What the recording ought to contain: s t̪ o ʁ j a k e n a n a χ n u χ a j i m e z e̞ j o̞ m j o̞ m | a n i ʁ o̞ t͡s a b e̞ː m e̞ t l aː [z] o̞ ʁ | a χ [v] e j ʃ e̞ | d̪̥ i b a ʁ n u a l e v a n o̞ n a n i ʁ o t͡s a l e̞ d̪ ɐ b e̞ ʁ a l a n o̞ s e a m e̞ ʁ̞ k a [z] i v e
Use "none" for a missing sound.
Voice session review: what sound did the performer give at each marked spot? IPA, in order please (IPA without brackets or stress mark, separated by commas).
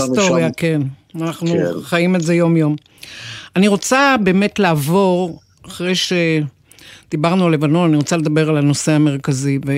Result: v, ʁ, z